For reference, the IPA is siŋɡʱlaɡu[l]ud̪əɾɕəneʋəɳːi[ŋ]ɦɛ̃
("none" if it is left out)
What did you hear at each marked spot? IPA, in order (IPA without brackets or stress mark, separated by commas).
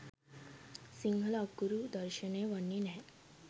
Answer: ɾ, n